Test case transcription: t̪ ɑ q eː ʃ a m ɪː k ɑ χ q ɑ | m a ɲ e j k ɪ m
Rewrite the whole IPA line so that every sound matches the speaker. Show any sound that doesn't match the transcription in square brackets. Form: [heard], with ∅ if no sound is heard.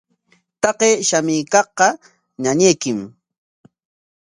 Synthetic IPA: t̪ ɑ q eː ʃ a m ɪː k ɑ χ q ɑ | [ɲ] a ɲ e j k ɪ m